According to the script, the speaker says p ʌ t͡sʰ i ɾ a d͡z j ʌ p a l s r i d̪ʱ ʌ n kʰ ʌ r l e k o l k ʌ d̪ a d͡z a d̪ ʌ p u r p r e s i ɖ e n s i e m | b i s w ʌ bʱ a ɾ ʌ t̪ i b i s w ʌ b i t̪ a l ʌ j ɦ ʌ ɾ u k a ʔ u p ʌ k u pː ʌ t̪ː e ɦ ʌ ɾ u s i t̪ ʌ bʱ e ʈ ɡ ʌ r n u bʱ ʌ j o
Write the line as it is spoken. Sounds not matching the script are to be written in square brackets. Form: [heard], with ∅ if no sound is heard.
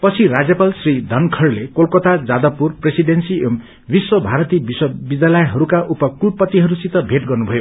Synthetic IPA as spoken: p ʌ t͡sʰ i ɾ a d͡z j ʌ p a l s r i d̪ʱ ʌ n kʰ ʌ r l e k o l k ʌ [t̪] a d͡z a d̪ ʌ p u r p r e s i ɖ e n s i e m | b i s w ʌ bʱ a ɾ ʌ t̪ i b i s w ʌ b i [d̪] a l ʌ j ɦ ʌ ɾ u k a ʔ u p ʌ k u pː ʌ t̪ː [i] ɦ ʌ ɾ u s i t̪ ʌ bʱ e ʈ ɡ ʌ r n u bʱ ʌ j o